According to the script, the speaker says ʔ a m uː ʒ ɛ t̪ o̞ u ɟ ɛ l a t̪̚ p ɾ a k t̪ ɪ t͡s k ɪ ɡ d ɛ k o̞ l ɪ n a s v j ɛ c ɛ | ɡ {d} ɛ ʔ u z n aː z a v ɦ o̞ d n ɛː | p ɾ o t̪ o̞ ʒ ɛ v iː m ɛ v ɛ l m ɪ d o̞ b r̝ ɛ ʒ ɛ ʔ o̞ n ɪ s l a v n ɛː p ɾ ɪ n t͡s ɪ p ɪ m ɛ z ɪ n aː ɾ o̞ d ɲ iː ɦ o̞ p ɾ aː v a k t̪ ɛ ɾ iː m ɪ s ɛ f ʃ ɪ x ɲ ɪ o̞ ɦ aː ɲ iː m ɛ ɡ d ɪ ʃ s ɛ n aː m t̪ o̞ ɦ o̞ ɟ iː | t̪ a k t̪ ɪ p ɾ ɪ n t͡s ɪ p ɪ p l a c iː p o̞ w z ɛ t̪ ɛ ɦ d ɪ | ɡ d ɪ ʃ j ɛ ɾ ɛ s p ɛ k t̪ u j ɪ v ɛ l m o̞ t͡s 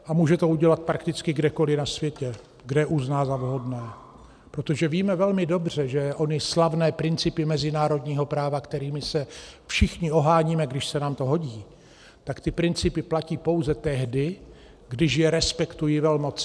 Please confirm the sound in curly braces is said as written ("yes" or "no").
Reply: yes